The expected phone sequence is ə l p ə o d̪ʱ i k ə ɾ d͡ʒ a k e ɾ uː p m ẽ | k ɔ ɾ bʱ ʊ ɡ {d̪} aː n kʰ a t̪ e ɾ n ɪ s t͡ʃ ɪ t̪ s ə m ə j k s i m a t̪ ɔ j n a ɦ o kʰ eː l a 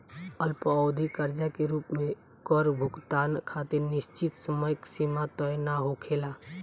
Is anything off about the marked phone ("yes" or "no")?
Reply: yes